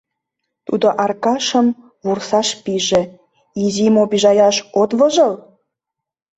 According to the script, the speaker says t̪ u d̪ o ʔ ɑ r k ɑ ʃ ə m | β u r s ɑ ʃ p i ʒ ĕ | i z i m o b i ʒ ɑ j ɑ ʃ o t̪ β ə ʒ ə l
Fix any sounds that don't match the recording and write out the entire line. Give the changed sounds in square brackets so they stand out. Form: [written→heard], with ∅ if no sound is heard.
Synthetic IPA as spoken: t̪ u d̪ o ʔ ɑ r k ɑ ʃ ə m | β u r s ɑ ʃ p i ʒ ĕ | i z i m o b i ʒ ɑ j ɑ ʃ o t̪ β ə ʒ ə l